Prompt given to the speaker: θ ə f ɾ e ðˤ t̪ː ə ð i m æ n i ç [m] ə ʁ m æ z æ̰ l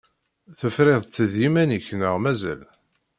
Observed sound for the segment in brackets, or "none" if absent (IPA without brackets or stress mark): n